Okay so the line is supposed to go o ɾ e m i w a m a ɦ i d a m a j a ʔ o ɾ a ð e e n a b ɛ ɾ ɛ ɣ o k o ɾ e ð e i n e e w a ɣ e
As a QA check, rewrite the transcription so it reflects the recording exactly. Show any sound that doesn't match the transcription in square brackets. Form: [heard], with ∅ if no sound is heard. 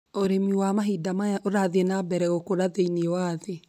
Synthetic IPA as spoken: o ɾ e m i w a m a ɦ i d a m a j a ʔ o ɾ a ð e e n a b ɛ ɾ ɛ ɣ o k o ɾ [a] ð e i n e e w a [ð] e